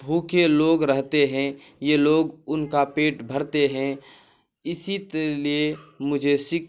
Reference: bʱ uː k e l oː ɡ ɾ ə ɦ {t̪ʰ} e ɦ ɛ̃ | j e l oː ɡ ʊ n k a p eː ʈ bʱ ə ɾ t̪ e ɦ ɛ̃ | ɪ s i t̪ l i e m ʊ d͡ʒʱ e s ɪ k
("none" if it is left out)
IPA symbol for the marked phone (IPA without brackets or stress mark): t̪